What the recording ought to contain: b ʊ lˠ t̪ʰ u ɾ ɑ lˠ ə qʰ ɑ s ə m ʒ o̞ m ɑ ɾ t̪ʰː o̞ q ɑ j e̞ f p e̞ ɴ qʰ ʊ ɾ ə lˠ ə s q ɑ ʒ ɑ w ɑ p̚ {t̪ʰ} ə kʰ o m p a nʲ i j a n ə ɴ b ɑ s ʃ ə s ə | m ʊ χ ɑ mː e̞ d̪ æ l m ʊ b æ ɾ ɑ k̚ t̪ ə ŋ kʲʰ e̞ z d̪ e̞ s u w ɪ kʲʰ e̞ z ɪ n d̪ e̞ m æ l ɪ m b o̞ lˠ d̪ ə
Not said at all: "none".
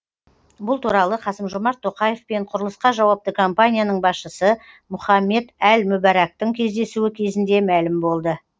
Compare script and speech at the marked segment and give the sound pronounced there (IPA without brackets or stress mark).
t̪